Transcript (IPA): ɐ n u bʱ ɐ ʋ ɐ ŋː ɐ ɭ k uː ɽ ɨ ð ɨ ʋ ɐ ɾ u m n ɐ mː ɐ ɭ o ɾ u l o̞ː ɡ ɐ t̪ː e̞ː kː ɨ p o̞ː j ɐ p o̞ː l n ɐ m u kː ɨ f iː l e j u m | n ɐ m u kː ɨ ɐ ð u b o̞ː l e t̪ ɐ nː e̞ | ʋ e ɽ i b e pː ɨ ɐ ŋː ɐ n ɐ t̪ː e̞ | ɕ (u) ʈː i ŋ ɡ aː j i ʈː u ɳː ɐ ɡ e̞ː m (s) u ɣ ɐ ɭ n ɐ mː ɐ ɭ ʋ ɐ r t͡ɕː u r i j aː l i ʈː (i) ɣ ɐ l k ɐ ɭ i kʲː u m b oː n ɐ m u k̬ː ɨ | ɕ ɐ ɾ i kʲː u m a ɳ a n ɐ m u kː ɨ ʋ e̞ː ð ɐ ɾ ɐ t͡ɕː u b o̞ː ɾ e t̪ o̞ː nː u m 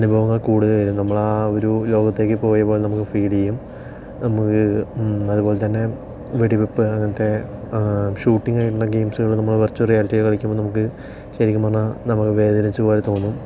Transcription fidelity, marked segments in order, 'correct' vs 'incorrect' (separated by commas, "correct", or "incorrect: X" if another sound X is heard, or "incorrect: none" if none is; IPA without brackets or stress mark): incorrect: uː, correct, correct